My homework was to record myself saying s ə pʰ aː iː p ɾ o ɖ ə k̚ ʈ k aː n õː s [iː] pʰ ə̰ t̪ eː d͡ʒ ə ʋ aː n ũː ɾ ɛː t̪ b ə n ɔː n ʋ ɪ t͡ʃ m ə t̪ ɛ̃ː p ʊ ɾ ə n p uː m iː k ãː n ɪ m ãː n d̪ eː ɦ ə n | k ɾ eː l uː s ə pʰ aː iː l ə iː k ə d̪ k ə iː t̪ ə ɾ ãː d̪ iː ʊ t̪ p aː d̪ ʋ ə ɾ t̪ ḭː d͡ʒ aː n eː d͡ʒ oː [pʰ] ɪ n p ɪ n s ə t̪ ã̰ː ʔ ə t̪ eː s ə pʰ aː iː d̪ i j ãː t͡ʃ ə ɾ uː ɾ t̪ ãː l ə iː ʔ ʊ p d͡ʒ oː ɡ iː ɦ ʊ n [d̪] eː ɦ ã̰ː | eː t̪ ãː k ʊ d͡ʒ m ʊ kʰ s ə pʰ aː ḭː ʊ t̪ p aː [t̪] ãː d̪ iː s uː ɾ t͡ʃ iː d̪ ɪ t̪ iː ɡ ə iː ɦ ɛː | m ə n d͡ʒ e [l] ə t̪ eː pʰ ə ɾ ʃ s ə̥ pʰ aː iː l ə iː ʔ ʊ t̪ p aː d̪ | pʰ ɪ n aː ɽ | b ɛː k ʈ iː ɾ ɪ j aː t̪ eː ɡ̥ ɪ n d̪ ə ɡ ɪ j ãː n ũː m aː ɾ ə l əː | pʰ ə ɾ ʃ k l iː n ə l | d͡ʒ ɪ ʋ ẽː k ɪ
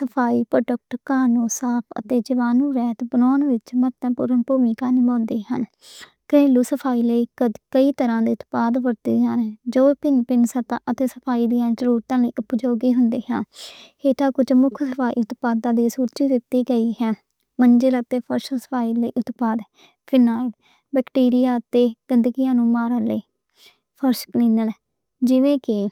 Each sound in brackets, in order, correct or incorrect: incorrect: aː, incorrect: p, correct, incorrect: d̪, correct

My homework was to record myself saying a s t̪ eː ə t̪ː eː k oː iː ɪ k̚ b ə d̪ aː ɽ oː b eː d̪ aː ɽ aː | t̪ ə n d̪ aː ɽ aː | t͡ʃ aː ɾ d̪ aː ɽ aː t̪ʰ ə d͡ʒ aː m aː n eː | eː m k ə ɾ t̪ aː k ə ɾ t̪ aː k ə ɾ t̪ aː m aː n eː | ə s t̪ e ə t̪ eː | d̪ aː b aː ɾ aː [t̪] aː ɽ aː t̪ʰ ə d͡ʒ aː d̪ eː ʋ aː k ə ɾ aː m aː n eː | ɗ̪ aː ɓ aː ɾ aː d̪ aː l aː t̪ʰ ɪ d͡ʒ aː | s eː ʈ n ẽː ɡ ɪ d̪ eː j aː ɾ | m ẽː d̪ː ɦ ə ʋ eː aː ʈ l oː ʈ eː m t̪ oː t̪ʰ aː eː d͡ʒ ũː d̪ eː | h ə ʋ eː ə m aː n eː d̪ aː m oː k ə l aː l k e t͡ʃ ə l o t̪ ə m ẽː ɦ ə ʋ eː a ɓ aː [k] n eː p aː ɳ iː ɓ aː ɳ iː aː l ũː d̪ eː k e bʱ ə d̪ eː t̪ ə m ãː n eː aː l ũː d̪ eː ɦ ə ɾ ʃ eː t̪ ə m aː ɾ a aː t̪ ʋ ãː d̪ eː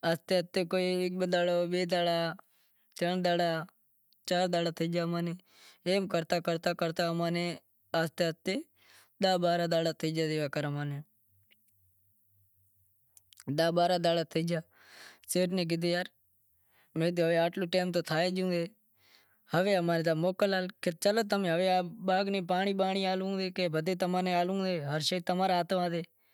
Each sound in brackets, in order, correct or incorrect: incorrect: d̪, incorrect: ɡ

